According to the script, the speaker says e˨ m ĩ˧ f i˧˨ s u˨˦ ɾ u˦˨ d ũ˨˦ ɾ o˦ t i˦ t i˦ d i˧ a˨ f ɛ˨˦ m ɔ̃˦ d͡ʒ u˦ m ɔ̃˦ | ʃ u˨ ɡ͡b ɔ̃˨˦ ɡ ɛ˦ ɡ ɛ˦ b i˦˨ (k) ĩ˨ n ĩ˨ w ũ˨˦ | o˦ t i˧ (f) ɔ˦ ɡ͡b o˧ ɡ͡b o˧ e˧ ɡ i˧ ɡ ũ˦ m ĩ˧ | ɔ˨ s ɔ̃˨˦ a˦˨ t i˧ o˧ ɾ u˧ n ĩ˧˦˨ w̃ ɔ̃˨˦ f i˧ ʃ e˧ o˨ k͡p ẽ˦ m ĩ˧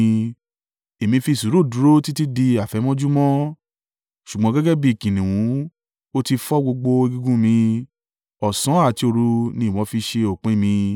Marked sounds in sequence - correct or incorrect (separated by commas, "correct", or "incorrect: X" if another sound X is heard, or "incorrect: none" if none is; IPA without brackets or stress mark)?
correct, correct